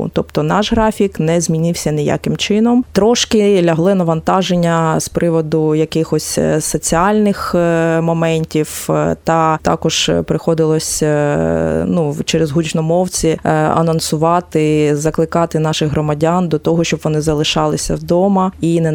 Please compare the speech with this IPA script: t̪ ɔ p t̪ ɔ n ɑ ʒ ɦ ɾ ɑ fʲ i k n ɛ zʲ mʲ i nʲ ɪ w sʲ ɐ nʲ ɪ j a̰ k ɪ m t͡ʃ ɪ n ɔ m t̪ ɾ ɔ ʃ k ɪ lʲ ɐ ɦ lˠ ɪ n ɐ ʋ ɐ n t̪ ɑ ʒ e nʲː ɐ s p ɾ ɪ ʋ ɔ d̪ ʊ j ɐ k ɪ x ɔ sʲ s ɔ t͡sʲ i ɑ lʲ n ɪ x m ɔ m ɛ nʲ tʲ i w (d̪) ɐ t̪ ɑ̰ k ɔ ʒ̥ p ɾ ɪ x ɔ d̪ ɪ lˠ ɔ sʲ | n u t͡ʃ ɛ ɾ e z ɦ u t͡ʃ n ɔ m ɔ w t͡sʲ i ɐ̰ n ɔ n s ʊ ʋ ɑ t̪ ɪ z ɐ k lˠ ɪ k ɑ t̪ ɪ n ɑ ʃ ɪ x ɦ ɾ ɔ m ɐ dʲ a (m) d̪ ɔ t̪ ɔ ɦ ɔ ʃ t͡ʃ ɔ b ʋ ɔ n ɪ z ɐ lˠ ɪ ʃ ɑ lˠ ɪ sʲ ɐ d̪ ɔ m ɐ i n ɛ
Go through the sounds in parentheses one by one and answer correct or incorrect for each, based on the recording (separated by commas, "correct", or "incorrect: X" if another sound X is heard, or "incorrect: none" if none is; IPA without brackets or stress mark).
incorrect: t̪, incorrect: n